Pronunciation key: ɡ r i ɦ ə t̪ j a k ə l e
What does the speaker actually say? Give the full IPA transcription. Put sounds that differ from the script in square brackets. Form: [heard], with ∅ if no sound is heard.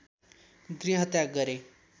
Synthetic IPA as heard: ɡ [ɾ] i ɦ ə t̪ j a [ɡ] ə [ɾ] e